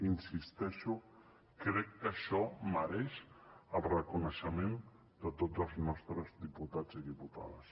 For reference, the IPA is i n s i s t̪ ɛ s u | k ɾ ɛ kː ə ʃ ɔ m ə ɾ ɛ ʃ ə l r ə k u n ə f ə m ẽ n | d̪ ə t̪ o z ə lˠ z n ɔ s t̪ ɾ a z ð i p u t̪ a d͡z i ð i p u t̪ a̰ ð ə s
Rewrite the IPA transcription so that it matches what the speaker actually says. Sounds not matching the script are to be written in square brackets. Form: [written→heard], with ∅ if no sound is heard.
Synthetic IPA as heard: i n s i s t̪ ɛ [s→ʃ] u | k ɾ ɛ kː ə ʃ ɔ m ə ɾ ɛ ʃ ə l r ə k u n ə [f→ʃ] ə m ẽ n | d̪ ə t̪ o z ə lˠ z n ɔ s t̪ ɾ [a→ə] z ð i p u t̪ a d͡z i ð i p u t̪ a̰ ð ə s